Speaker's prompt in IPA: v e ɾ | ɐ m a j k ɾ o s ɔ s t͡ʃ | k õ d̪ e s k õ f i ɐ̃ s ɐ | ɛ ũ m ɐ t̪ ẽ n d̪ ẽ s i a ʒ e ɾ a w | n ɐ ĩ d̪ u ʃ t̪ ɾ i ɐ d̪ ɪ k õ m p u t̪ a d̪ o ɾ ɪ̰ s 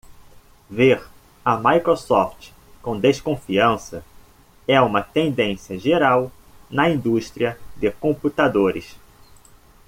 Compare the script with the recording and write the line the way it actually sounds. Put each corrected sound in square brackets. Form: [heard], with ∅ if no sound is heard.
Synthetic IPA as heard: v e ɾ | ɐ m a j k ɾ o s ɔ [f] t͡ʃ | k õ d̪ e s k õ f i ɐ̃ s ɐ | ɛ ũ m ɐ t̪ ẽ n d̪ ẽ s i [ɐ] ʒ e ɾ a w | n ɐ ĩ d̪ u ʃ t̪ ɾ i ɐ d̪ ɪ k õ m p u t̪ a d̪ o ɾ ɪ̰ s